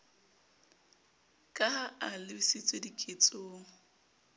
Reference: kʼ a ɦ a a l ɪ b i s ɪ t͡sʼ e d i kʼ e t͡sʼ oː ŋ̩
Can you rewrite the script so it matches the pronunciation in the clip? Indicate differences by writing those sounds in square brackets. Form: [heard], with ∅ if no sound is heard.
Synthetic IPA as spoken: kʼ a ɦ a a l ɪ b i s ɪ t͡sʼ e d i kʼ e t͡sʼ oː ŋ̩